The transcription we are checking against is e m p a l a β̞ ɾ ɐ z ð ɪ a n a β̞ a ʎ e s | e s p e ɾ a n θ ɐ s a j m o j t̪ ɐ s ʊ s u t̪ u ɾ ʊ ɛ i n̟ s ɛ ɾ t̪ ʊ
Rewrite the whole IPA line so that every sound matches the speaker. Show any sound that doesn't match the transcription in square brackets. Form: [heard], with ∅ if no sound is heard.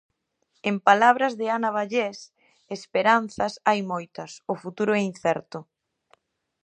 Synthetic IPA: e m p a l a β̞ ɾ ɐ z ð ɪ a n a β̞ a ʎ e s | e s p e ɾ a n θ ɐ s a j m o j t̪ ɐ s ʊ [f] u t̪ u ɾ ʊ ɛ i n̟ [θ] ɛ ɾ t̪ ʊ